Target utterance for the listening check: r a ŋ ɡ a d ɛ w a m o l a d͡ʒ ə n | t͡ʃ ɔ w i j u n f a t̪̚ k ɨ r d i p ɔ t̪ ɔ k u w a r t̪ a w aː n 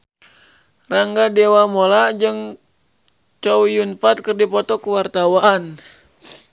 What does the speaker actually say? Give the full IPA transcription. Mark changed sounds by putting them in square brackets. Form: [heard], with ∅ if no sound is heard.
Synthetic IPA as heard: r a ŋ ɡ a d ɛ w a m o l a d͡ʒ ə [ŋ] | t͡ʃ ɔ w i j u n f a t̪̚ k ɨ r d i p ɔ t̪ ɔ k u w a r t̪ a w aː n

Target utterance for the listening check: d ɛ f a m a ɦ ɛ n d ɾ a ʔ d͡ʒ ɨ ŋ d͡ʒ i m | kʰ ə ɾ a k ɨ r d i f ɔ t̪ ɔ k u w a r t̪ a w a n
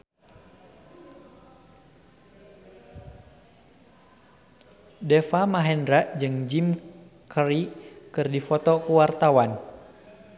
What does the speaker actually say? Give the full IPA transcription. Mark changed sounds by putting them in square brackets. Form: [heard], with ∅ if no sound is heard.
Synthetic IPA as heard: d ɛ f a m a ɦ ɛ n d ɾ a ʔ d͡ʒ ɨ ŋ d͡ʒ i m | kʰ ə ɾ [i] k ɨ r d i f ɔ t̪ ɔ k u w a r t̪ a w a n

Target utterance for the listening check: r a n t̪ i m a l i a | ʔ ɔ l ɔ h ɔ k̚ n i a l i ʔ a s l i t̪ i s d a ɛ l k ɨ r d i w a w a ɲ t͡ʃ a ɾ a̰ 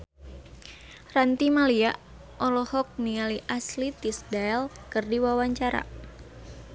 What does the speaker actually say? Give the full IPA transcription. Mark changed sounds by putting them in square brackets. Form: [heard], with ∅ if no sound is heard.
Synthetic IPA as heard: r a n t̪ i m a l i a | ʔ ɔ l ɔ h ɔ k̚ n i a l i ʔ a s l i t̪ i s d a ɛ l k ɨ r d i w a w a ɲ t͡ʃ a ɾ a̰

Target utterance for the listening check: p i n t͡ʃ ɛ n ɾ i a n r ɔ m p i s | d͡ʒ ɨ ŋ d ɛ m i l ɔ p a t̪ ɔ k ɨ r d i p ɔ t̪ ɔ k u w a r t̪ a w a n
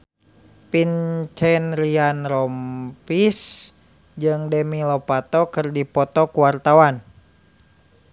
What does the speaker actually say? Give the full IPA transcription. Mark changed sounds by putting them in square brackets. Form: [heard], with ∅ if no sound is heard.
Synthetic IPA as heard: p i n t͡ʃ ɛ n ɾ i a n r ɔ m p i s | d͡ʒ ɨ ŋ d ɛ m i l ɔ p a t̪ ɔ k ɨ r d i p ɔ t̪ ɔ k u w a r t̪ a w a n

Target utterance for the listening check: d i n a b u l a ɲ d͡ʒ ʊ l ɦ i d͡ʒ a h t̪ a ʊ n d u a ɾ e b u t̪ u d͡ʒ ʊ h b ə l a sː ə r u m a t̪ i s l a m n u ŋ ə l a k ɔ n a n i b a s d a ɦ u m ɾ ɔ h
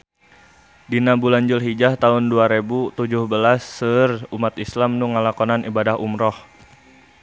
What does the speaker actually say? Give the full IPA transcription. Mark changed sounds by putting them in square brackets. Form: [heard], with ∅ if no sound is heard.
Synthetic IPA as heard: d i n a b u l a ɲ d͡ʒ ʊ l ɦ i d͡ʒ a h t̪ a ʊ n d u a ɾ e b u t̪ u d͡ʒ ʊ h b ə l a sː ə r u m a t̪ i s l a m n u ŋ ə l a k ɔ n a n i b a [∅] d a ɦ u m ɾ ɔ h

